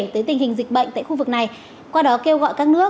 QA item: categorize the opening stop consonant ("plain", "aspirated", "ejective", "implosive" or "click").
plain